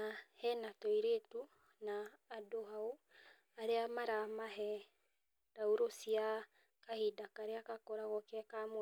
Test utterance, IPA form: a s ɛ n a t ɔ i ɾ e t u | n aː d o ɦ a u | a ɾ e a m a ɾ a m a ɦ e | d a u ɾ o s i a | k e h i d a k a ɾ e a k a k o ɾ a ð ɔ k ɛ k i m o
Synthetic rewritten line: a h ɛ n a t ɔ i ɾ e t u | n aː d o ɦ a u | a ɾ e a m a ɾ a m a ɦ ɛ | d a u ɾ o s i a | k a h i d a k a ɾ e a k a k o ɾ a ɣ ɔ k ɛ k a m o

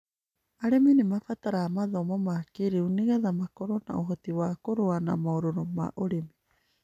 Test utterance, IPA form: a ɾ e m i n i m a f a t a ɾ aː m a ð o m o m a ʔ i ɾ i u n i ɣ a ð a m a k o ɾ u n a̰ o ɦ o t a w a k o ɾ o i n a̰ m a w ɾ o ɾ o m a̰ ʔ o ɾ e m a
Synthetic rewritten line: a ɾ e m i n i m a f a t a ɾ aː m a ð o m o m a k i ɾ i u n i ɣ a ð a m a k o ɾ o n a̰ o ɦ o t i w a k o ɾ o a n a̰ m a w ɾ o ɾ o m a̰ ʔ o ɾ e m i

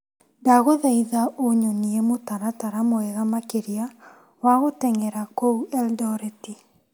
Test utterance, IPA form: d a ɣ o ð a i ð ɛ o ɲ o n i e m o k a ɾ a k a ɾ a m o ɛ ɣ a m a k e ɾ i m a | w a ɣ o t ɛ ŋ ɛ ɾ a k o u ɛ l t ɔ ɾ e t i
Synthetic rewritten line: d a ɣ o ð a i ð a o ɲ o n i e m o t a ɾ a t a ɾ a m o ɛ ɣ a m a k e ɾ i a | w a ɣ o t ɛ ŋ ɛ ɾ a k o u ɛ l d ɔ ɾ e t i

